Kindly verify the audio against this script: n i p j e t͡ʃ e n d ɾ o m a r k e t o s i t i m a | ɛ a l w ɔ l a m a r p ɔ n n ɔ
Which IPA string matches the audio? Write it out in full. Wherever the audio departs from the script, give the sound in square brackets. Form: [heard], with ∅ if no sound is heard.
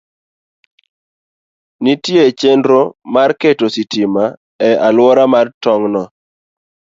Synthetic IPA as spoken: n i [t] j e t͡ʃ e n d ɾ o m a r k e t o s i t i m a | ɛ a l w ɔ [ɾ] a m a r [t] ɔ [ŋ] n ɔ